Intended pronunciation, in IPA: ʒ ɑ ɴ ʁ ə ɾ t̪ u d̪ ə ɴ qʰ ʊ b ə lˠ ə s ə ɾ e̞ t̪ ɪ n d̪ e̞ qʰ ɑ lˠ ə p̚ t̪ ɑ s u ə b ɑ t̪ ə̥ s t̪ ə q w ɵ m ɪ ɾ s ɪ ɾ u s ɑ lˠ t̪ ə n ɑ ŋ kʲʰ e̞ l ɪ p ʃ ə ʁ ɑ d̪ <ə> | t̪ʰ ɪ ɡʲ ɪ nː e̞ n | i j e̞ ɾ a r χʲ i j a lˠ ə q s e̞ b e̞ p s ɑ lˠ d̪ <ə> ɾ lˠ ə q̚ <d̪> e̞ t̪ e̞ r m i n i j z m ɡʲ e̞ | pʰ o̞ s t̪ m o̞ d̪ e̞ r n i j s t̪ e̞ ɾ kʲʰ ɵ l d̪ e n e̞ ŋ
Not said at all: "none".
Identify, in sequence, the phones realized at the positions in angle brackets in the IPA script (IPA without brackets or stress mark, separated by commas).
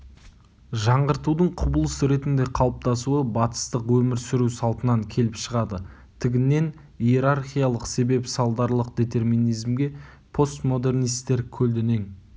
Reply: ə, ɑ, d̪